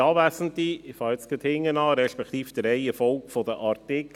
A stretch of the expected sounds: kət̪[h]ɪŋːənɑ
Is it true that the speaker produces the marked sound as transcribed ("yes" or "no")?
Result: yes